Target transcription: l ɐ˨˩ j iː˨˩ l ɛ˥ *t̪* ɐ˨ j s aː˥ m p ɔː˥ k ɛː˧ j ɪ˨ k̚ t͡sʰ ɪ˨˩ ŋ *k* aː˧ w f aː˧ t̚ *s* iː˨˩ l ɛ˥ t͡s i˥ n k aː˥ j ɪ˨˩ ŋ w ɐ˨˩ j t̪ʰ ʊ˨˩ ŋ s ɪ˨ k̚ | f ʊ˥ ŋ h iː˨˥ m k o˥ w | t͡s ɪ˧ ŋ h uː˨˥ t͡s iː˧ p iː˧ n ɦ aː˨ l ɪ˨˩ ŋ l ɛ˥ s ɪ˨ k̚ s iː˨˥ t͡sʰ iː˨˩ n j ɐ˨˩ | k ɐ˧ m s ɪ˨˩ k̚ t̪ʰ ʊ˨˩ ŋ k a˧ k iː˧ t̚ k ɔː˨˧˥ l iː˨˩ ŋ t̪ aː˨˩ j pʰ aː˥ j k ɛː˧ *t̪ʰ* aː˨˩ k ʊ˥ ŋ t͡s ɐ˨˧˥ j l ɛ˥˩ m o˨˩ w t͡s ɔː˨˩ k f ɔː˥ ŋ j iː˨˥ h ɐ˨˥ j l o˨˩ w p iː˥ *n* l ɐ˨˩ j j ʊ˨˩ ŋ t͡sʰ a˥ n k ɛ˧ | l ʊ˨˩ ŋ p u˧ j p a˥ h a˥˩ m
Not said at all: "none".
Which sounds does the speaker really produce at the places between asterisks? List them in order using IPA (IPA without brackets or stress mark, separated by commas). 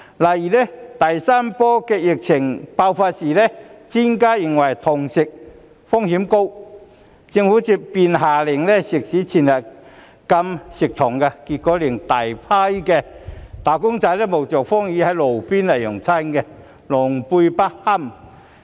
t̪, p, s, t̪, n